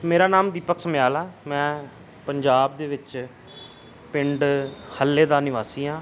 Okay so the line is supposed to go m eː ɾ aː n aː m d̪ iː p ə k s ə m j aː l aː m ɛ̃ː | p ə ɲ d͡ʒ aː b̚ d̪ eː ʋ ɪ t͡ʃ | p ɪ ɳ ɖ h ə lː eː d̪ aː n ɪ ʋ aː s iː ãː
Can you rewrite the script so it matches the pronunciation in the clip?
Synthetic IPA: m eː ɾ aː n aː m d̪ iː p ə k s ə m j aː l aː m ɛ̃ː | p ə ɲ d͡ʒ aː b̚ d̪ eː ʋ ɪ t͡ʃ | p ɪ ɳ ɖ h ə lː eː d̪ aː n ɪ ʋ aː s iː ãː